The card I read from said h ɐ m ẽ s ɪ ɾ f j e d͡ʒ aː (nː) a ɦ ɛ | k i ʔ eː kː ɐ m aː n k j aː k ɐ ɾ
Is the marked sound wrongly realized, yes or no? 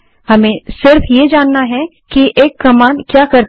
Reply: no